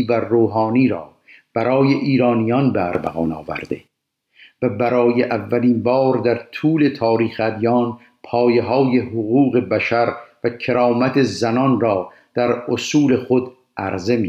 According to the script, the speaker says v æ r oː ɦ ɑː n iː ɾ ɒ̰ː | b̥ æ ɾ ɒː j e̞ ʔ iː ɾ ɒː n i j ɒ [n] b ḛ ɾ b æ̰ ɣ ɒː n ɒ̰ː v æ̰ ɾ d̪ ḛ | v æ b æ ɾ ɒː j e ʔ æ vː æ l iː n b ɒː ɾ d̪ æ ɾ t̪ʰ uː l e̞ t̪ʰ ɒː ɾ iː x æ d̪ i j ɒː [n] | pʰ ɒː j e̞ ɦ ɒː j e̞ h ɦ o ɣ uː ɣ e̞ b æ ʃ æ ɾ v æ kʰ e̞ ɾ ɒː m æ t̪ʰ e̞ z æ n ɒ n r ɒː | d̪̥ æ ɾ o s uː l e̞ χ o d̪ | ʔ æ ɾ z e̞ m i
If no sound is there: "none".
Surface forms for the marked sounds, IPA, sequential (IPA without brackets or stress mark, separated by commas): n, n